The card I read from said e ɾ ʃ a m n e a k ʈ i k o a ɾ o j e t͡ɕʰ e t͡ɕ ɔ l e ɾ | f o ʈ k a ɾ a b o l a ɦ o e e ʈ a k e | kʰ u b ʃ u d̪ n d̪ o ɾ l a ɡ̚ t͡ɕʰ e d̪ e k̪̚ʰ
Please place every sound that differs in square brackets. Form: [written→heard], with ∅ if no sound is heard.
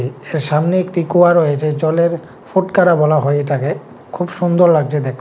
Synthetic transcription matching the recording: e ɾ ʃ a m n e [a→e] k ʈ i k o a ɾ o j e t͡ɕʰ e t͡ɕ ɔ l e ɾ | f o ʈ k a ɾ a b [o→ɔ] l a ɦ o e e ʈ a k e | kʰ u b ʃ u [d̪→∅] n d̪ o ɾ l a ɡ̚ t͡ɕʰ e d̪ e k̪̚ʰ